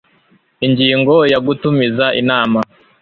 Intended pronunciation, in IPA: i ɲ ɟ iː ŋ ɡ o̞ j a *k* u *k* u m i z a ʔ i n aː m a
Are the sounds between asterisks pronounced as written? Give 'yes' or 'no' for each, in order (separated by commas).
no, no